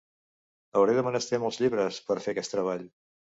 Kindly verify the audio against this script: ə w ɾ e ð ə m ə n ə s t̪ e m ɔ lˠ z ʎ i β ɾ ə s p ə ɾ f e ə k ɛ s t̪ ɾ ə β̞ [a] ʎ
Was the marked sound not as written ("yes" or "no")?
no